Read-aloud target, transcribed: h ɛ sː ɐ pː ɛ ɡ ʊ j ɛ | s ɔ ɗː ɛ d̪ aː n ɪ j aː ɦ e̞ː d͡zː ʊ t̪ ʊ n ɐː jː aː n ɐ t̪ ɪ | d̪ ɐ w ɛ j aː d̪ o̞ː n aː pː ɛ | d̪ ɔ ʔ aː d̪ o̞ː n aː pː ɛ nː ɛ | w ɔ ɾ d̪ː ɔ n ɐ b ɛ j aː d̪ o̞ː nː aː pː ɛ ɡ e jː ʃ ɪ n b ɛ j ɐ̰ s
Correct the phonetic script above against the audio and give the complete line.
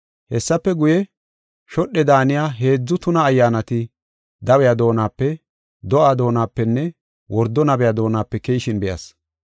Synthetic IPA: h ɛ sː ɐ pː ɛ ɡ ʊ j ɛ | ʃ ɔ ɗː ɛ d̪ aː n ɪ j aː ɦ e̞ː d͡zː ʊ t̪ ʊ n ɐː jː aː n ɐ t̪ ɪ | d̪ ɐ w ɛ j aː d̪ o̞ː n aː pː ɛ | d̪ ɔ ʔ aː d̪ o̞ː n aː pː ɛ nː ɛ | w ɔ ɾ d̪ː ɔ n ɐ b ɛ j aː d̪ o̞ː n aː pː ɛ k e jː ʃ ɪ n b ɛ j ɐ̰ s